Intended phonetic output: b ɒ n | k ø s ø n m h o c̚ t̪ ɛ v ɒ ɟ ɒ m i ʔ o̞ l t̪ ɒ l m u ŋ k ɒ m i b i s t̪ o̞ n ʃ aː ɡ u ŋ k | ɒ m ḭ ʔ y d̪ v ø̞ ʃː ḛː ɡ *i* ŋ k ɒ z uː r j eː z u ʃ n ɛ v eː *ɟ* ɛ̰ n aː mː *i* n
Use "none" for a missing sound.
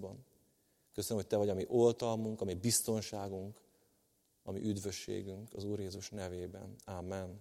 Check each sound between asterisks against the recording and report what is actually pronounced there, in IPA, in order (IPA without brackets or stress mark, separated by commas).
y, b, ɛ